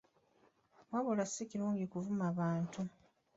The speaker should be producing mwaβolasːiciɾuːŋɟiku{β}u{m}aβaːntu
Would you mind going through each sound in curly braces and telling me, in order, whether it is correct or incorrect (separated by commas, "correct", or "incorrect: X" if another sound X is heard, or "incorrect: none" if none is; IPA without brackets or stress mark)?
incorrect: v, correct